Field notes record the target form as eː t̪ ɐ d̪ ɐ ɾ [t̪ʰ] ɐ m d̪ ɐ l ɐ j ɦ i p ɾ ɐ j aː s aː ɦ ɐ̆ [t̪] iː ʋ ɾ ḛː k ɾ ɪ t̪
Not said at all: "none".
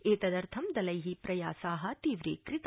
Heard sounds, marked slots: t̪ʰ, t̪

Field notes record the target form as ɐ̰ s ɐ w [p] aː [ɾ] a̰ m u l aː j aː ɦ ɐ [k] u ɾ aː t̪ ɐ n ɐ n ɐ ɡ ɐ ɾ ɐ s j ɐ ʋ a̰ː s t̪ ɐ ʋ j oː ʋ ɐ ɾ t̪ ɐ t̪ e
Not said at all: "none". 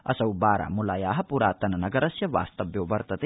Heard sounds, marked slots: b, ɾ, p

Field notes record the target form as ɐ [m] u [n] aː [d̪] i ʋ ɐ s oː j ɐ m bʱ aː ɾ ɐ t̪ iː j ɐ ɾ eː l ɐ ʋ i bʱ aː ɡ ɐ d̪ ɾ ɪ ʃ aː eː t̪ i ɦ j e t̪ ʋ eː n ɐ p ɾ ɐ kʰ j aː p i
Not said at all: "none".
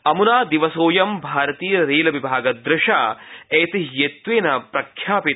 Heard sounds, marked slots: m, n, d̪

